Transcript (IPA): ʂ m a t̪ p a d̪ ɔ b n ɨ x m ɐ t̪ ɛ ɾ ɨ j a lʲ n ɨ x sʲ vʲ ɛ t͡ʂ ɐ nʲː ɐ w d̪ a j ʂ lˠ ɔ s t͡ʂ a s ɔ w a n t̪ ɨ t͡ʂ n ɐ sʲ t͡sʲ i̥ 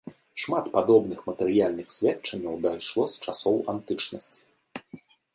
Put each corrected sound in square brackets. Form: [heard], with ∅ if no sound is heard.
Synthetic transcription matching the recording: ʂ m a t̪ p a d̪ ɔ b n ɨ x m ɐ t̪ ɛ ɾ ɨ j a lʲ n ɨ x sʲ vʲ ɛ t͡ʂ ɐ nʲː ɐ w d̪ a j ʂ lˠ ɔ s t͡ʂ a s ɔ w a n t̪ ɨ t͡ʂ n ɐ sʲ t͡sʲ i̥